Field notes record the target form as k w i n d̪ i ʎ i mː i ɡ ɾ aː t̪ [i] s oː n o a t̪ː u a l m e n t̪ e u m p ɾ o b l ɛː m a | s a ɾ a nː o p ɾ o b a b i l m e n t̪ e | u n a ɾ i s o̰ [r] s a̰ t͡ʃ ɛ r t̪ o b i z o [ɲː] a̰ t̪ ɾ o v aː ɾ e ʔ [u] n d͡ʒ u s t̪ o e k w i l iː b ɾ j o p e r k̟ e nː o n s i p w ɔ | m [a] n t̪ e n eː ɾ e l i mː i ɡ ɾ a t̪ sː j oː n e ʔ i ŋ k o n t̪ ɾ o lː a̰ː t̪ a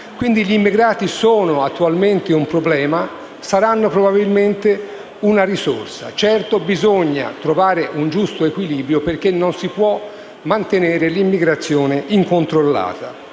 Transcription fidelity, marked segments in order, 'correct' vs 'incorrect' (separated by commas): correct, correct, correct, correct, correct